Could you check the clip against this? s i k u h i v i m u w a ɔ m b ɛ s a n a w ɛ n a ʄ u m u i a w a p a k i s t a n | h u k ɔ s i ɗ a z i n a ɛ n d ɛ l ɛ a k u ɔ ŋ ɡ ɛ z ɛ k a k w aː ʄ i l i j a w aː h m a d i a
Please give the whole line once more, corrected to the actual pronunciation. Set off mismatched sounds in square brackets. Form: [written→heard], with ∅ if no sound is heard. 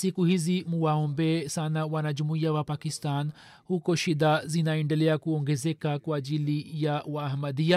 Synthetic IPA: s i k u h i [v→z] i m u w a ɔ m b ɛ s a n a w [ɛ→a] n a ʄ u m u i a w a p a k i s t a n | h u k ɔ [s→ʃ] i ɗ a z i n a ɛ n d ɛ l ɛ a k u ɔ ŋ ɡ ɛ z ɛ k a k w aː ʄ i l i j a w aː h m a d i a